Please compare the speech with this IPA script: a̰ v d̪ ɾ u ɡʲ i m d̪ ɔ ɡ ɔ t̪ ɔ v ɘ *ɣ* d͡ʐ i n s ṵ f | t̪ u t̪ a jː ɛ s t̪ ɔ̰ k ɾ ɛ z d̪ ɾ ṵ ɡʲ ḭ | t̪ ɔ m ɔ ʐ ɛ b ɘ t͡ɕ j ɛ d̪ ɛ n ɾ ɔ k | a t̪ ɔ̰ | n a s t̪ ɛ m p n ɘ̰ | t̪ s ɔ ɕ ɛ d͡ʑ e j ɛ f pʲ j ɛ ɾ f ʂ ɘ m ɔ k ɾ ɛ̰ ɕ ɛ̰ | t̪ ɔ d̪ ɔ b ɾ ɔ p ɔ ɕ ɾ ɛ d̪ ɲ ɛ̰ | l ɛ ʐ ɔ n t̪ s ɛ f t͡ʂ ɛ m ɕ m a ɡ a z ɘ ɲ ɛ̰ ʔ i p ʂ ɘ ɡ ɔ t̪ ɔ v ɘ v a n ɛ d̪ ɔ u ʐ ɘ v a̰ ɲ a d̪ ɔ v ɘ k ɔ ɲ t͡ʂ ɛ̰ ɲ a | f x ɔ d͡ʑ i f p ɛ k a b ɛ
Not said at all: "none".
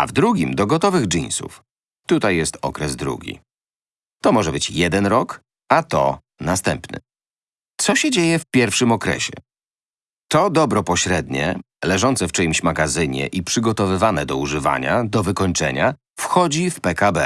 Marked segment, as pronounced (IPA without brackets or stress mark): ɣ